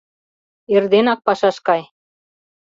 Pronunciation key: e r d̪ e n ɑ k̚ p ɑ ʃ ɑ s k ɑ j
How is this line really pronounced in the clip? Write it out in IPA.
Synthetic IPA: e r d̪ e n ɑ k̚ p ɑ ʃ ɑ ʃ k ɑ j

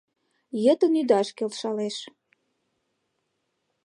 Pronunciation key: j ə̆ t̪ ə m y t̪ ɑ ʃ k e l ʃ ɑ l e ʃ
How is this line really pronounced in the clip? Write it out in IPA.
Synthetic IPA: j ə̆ t̪ ə n y d̪ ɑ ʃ k e l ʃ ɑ l e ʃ

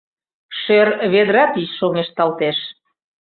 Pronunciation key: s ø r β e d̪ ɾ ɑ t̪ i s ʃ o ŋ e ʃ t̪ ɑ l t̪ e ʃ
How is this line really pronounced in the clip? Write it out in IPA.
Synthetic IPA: ʃ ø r β e d̪ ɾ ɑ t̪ i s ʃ o ŋ e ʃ t̪ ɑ l t̪ e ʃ

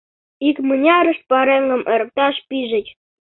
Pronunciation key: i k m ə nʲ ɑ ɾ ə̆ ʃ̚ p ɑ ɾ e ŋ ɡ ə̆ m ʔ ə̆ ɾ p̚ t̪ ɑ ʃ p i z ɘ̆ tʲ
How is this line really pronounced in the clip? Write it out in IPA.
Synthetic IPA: i k m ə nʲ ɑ ɾ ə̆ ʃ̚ p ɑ ɾ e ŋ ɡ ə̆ m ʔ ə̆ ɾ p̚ t̪ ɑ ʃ p i ʒ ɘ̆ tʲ

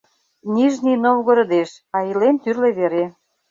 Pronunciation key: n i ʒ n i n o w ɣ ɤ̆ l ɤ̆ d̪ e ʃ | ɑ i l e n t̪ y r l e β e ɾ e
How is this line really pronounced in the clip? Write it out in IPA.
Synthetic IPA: n i ʒ n i n o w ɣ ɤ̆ ɾ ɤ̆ d̪ e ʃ | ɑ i l e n t̪ y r l e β e ɾ e

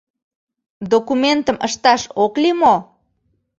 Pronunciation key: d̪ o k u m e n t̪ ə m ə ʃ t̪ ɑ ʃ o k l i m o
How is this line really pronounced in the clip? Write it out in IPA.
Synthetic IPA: d̪ o k u m e n t̪ ə m ə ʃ t̪ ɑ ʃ o k l i m o

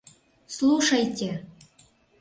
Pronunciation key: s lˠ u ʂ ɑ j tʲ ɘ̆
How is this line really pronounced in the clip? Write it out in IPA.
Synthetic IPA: s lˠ u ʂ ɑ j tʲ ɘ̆

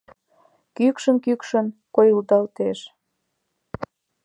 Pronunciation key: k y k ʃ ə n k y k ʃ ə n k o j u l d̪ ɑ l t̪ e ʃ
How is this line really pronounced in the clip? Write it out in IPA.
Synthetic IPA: k y k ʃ ə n k y k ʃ ə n k o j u l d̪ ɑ l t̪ e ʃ

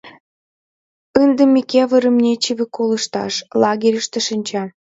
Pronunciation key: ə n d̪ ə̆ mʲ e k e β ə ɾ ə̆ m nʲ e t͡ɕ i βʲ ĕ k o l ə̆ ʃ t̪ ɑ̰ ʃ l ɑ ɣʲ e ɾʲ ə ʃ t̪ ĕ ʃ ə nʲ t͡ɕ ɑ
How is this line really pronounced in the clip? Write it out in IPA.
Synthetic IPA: ə n d̪ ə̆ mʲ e k e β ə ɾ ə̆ m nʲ e t͡ɕ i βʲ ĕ k o l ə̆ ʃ t̪ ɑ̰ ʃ l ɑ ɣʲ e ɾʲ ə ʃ t̪ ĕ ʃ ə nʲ t͡ɕ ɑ

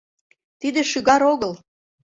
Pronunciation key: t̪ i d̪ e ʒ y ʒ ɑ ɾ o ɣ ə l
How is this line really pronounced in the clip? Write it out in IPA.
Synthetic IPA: t̪ i d̪ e ʃ y ɣ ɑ ɾ o ɣ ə l

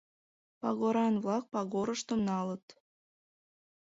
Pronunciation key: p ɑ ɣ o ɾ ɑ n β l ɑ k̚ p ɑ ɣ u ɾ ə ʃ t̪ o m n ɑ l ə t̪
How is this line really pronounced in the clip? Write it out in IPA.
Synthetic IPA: p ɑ ɣ o ɾ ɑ n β l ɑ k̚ p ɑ ɣ o ɾ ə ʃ t̪ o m n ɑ l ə t̪

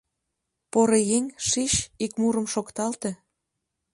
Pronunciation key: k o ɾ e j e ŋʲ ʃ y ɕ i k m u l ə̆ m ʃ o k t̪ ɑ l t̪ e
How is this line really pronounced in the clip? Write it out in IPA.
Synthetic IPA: p o ɾ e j e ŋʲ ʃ i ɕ i k m u ɾ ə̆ m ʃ o k t̪ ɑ l t̪ e

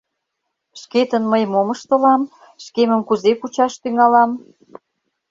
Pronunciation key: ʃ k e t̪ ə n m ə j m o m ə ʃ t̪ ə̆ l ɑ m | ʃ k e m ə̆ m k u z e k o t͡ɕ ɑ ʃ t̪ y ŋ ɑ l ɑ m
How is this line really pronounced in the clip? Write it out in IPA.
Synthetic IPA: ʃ k e t̪ ə n m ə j m o m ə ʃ t̪ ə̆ l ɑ m | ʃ k e m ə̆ m k u z e k u t͡ɕ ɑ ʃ t̪ y ŋ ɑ l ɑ m

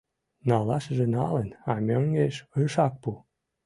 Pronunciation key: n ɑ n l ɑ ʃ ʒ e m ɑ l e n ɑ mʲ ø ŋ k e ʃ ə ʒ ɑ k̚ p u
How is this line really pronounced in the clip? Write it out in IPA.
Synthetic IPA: n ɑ l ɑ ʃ ʒ e n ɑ l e n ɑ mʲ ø ŋ ɡ e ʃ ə ʃ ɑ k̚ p u

